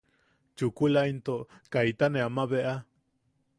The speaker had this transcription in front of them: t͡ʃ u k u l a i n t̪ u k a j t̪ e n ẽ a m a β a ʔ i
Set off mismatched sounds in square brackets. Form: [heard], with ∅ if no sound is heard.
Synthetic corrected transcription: t͡ʃ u k u l a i n t̪ [o] k a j t̪ [a] n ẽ a m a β [e] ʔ [a]